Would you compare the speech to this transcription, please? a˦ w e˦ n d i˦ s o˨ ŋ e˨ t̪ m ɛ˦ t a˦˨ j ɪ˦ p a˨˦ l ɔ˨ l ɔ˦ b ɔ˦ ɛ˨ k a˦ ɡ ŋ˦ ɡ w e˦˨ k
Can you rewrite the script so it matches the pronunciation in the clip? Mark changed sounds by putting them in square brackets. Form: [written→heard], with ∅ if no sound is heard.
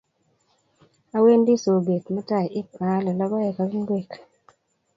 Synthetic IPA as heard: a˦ w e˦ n d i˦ s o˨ [ŋ→ɡ] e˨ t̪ m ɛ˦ t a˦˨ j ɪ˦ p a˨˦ l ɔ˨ l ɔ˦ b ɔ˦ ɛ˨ k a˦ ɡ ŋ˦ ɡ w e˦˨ k